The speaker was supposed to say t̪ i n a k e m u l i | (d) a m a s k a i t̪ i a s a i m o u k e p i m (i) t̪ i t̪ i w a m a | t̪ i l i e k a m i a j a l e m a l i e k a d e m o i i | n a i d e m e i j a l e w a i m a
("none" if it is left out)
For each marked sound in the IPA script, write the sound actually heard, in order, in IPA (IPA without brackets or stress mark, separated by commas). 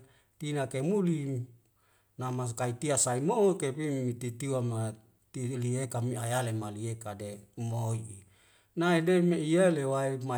n, i